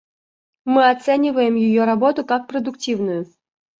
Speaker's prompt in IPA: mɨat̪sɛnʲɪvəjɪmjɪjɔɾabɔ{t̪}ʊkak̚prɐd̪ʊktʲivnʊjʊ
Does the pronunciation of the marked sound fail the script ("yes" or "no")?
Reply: no